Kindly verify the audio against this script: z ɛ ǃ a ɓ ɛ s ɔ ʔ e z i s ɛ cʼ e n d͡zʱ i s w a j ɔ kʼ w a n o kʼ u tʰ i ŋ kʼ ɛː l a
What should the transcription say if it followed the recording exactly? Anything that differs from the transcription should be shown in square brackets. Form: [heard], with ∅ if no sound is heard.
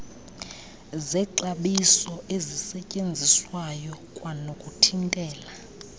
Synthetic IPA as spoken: z ɛ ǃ a ɓ [i] s ɔ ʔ e z i s ɛ cʼ e n d͡zʱ i s w a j ɔ kʼ w a n o kʼ u tʰ i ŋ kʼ ɛː l a